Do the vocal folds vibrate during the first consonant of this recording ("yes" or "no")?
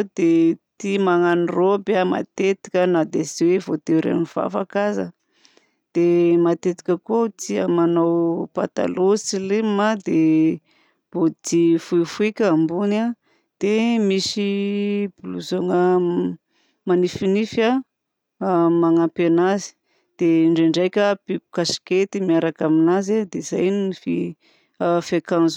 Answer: yes